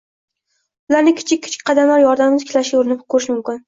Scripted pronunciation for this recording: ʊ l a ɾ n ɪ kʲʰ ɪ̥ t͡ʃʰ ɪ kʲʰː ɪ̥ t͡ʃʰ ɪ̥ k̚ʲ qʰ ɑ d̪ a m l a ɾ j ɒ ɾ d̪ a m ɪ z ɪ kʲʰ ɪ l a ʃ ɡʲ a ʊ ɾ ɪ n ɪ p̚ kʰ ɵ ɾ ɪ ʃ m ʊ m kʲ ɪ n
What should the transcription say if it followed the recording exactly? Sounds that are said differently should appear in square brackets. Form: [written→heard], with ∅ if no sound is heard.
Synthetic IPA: ʊ l a ɾ n ɪ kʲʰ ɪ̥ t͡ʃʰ ɪ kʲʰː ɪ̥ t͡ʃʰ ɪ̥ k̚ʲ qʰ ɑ d̪ a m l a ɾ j ɒ ɾ d̪ a m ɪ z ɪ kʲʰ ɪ l a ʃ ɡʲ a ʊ ɾ ɪ n ɪ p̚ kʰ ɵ ɾ ɪ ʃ m ʊ m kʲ ɪ n